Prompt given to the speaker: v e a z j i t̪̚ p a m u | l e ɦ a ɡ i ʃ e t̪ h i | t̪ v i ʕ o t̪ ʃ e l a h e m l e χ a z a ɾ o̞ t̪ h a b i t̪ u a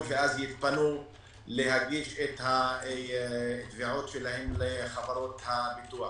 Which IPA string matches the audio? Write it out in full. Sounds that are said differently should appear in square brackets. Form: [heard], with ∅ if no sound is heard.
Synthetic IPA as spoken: v e a z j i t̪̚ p a [n] u | l e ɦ a ɡ i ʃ e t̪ h [a] | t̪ v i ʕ o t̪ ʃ e l a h e m l e χ a [v] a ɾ o̞ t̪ h a b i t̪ u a